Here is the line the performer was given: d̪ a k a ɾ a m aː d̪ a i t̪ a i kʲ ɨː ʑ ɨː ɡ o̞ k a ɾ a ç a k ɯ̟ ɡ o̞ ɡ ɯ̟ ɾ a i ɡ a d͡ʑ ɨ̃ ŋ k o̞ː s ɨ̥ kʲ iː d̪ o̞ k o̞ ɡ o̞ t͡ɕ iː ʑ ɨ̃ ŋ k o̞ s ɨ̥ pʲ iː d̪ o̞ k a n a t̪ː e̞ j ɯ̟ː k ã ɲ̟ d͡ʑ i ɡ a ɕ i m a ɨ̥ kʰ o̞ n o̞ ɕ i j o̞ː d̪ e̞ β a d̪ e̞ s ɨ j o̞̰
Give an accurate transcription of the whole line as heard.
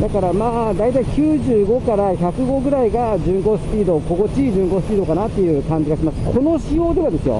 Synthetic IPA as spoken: d̪ a k a ɾ a m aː d̪ a i t̪ a i kʲ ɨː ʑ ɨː ɡ o̞ k a ɾ a ç a k ɯ̟ ɡ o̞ ɡ ɯ̟ ɾ a i ɡ a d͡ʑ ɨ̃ ŋ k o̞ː s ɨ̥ pʲ iː d̪ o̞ k o̞ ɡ o̞ t͡ɕ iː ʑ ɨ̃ ŋ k o̞ s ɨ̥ pʲ iː d̪ o̞ k a n a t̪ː e̞ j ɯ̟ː k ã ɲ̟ d͡ʑ i ɡ a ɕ i m a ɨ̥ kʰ o̞ n o̞ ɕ i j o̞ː d̪ e̞ β a d̪ e̞ s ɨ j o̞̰